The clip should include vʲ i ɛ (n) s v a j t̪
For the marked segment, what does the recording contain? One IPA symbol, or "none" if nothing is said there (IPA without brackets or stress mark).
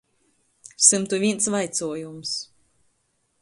n